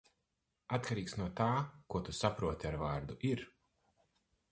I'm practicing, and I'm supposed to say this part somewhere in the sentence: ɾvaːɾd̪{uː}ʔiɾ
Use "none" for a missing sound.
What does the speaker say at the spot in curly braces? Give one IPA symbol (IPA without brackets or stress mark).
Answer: u